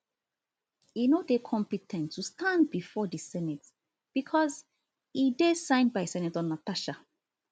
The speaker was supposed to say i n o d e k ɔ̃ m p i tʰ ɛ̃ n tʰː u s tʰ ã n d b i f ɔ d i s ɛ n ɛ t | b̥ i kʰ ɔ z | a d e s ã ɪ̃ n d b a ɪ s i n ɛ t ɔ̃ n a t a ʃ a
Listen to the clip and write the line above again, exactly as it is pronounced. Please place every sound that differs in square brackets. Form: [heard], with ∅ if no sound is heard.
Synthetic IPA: i n o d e [kʰ] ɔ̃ m p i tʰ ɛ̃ n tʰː u s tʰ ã n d b i f ɔ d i s ɛ n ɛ t | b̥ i kʰ ɔ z | [i] d e s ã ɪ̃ n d b a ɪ s [ɛ] n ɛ t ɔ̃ n a t a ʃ a